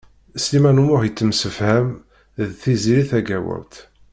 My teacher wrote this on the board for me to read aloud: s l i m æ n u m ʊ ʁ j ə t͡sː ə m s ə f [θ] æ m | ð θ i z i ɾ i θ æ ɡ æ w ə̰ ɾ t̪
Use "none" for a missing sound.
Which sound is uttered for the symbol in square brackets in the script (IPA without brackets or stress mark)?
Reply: h